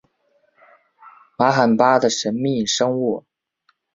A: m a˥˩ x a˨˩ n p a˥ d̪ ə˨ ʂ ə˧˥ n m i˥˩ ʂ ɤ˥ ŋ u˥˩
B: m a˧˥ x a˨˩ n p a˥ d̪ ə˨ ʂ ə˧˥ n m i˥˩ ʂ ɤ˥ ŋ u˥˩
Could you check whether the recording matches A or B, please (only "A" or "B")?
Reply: B